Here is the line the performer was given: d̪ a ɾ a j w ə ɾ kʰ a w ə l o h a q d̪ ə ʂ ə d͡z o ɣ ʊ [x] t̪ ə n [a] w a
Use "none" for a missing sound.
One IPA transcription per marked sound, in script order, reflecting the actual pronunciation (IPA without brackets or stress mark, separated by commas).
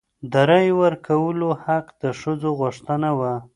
ʂ, a